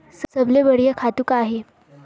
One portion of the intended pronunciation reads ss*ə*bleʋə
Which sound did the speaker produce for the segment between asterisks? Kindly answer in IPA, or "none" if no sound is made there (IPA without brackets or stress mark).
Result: ə